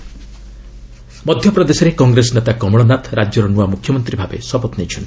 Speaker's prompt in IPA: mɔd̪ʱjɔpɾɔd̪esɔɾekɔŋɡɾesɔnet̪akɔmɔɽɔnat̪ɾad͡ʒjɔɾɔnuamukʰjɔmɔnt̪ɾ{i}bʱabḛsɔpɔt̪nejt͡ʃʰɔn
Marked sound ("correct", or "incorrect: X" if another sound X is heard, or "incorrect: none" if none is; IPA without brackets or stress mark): correct